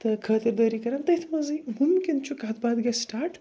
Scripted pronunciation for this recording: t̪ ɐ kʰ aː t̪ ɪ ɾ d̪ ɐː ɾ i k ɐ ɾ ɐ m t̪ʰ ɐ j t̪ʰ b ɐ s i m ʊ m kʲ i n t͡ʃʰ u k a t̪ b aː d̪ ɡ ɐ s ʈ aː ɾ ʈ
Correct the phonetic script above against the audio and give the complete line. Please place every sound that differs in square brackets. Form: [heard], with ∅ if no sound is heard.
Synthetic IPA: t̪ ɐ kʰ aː t̪ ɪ ɾ d̪ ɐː ɾ i k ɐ ɾ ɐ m [t̪] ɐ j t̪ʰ [m] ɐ [z] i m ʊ m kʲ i n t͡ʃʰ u k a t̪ b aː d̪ ɡ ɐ s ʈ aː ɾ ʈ